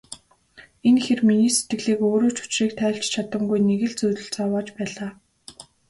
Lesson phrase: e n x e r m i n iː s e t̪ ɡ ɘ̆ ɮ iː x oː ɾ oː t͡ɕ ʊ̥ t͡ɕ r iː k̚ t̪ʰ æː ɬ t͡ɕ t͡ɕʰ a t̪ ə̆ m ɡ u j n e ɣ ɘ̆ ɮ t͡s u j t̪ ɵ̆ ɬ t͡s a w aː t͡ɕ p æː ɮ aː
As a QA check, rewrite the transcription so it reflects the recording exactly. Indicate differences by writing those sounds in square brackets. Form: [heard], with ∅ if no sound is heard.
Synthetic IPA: e n x e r m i n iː s e t̪ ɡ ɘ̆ ɮ iː [k] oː ɾ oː t͡ɕ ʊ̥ t͡ɕ r iː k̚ t̪ʰ æː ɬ t͡ɕ t͡ɕʰ a t̪ ə̆ m ɡ u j n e ɣ ɘ̆ ɮ t͡s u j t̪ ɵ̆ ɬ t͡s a w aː t͡ɕ p æː ɮ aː

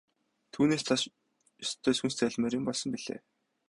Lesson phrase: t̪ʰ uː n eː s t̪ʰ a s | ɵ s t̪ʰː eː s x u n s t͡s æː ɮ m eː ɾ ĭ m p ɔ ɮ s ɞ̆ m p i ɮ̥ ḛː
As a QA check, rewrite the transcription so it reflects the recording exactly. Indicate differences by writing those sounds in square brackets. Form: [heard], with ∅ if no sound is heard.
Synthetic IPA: t̪ʰ uː n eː s t̪ʰ a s | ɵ s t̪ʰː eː s x u n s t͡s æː ɮ m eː ɾ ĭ m p ɔ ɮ s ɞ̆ m p i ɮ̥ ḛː

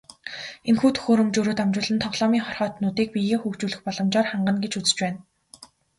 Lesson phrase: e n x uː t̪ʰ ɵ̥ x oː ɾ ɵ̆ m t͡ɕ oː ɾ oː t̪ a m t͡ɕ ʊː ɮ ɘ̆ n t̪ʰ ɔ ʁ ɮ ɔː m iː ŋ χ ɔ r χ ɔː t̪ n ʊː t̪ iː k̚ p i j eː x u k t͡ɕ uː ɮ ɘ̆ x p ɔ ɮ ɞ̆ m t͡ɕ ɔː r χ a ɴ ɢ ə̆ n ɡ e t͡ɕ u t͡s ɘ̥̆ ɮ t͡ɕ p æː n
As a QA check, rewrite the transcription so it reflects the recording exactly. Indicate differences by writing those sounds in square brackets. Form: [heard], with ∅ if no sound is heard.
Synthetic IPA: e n x uː t̪ʰ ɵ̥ x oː ɾ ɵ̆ m t͡ɕ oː ɾ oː t̪ a m t͡ɕ ʊː ɮ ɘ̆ n t̪ʰ ɔ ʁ ɮ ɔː m iː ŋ χ ɔ r χ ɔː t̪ n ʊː t̪ iː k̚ p i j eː x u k t͡ɕ uː ɮ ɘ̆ x p ɔ ɮ ɞ̆ m t͡ɕ ɔː r χ a ɴ ɢ ə̆ n ɡ e t͡ɕ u t͡s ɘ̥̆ [∅] t͡ɕ p æː n

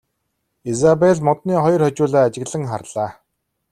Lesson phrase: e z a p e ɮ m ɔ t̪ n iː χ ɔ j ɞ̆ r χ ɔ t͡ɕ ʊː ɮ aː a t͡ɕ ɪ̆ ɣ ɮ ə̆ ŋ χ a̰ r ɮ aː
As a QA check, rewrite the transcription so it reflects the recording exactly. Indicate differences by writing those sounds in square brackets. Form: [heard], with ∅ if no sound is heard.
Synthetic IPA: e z a p e ɮ m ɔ t̪ n iː χ ɔ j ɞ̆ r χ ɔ t͡ɕ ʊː ɮ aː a t͡ɕ ɪ̆ ɣ ɮ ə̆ ŋ χ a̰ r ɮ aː

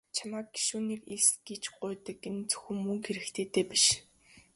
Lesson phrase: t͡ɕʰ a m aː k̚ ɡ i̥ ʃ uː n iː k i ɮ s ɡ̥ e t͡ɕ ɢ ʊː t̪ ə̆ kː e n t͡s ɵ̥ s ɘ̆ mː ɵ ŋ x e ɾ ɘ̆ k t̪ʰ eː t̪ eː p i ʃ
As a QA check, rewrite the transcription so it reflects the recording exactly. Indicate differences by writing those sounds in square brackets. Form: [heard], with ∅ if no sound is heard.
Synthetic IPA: t͡ɕʰ a m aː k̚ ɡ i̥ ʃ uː n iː k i ɮ s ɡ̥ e t͡ɕ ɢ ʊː t̪ ə̆ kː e n t͡s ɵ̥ [x] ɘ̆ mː ɵ ŋ x e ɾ ɘ̆ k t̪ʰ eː t̪ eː p i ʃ

